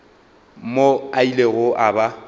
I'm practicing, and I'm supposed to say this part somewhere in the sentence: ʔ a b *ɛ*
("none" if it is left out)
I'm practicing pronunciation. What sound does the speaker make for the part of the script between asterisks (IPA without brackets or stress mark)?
a